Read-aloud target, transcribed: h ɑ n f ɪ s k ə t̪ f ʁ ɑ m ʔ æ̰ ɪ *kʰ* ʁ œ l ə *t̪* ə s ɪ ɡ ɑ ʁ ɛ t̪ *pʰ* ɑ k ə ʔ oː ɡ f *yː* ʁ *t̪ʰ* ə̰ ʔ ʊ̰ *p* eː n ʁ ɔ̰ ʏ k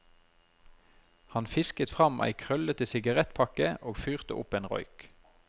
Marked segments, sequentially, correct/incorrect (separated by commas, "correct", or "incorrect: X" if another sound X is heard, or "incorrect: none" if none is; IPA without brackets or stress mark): correct, correct, correct, correct, incorrect: t̪, correct